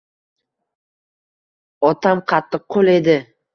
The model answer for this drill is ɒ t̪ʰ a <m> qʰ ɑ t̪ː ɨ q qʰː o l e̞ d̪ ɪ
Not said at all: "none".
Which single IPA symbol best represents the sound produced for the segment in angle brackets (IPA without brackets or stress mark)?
m